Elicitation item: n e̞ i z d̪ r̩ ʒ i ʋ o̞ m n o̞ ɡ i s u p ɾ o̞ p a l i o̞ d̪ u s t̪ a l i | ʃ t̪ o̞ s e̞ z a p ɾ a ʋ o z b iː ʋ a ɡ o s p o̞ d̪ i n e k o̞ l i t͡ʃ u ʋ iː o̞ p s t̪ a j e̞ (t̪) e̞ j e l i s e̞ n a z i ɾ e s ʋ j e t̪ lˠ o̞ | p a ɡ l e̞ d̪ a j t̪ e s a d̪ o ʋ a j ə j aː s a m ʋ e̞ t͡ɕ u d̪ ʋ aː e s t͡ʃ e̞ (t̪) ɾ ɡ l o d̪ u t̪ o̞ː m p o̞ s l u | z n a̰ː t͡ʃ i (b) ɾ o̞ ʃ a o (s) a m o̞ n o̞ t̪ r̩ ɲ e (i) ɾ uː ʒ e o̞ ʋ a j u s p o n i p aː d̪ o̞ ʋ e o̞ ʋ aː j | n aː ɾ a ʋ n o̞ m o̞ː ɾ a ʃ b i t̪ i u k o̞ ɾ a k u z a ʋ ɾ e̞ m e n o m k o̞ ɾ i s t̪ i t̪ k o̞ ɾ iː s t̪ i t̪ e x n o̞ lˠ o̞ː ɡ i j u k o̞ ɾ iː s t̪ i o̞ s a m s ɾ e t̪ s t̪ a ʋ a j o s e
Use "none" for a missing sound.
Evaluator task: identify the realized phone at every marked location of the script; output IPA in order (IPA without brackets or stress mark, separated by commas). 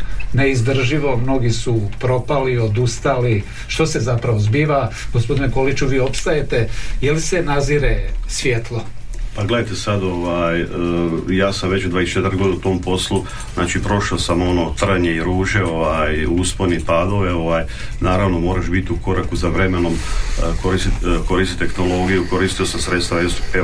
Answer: t̪, t̪, p, s, i